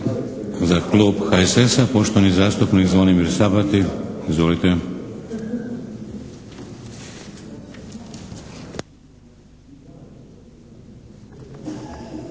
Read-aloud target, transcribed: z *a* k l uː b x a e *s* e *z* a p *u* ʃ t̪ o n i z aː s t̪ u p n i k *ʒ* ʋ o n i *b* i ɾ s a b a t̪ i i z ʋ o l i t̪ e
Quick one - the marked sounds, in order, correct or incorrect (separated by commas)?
correct, correct, incorrect, incorrect, incorrect, incorrect